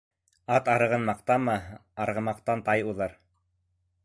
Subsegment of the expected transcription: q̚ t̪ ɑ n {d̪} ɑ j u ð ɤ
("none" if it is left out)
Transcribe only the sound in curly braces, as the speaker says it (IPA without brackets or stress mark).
t̪